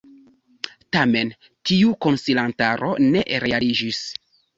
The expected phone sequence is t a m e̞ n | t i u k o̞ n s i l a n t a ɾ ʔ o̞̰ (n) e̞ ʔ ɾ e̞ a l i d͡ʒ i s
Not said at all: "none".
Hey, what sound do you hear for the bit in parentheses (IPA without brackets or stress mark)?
n